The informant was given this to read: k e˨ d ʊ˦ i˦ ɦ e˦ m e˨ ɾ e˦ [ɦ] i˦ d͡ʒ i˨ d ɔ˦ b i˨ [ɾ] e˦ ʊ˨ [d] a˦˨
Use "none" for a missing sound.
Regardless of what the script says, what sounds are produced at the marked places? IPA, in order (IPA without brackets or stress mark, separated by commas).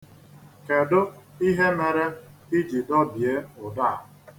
none, none, d